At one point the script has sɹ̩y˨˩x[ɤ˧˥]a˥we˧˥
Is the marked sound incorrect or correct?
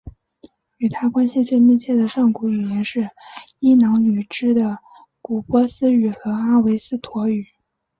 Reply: correct